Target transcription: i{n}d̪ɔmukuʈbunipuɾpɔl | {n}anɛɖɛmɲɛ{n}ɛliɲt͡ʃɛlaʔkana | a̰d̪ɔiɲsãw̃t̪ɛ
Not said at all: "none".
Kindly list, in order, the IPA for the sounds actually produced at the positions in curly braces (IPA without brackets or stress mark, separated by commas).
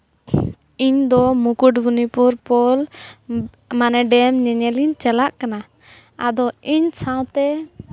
ɲ, m, ɲ